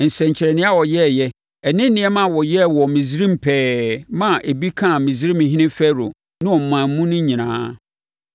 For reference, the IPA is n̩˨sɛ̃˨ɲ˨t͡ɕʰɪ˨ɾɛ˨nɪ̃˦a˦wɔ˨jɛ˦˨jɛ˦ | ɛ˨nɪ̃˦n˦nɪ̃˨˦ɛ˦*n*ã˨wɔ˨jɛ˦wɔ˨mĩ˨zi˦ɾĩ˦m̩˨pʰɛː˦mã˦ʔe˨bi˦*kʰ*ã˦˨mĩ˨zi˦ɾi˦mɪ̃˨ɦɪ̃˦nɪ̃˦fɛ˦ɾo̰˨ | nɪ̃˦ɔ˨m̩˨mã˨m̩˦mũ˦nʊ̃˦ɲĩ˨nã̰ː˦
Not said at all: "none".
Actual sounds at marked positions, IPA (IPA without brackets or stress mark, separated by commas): m, kʰ